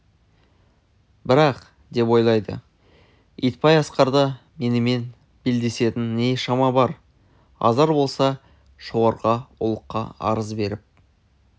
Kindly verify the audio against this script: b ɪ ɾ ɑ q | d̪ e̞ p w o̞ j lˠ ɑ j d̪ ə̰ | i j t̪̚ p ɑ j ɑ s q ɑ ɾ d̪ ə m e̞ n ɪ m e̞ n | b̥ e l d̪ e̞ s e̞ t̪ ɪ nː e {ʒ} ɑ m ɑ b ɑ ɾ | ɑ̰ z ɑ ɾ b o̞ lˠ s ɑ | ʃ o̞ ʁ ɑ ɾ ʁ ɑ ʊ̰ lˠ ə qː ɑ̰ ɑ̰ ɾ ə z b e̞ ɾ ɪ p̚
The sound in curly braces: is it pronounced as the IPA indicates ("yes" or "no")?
no